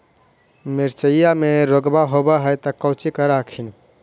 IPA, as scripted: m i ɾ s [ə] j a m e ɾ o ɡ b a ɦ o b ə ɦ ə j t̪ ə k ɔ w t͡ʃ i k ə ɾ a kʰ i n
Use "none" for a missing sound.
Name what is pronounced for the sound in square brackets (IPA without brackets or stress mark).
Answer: ə